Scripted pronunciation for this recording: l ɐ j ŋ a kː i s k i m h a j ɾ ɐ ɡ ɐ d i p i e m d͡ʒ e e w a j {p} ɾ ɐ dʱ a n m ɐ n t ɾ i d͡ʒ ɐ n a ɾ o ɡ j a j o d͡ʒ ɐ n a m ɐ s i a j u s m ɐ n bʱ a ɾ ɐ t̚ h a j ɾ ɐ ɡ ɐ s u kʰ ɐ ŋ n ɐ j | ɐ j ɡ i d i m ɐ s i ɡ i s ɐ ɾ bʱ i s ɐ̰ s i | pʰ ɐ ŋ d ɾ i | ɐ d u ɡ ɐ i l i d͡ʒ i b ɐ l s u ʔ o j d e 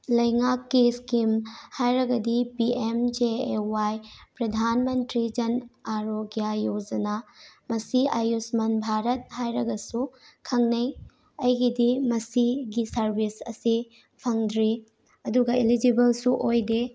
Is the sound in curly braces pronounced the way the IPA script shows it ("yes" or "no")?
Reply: yes